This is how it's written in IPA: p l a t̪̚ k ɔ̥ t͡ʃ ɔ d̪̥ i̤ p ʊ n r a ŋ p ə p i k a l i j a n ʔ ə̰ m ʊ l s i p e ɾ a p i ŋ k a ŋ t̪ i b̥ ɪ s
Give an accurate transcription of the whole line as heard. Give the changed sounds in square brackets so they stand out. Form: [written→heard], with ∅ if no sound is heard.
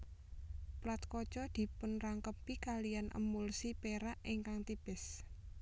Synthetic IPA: p l a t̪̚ k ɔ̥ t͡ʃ ɔ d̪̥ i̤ p ʊ n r a ŋ [p→k] ə p i k a l i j a n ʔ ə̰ m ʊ l s i p e ɾ a [p→ʔ] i ŋ k a ŋ t̪ i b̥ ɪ s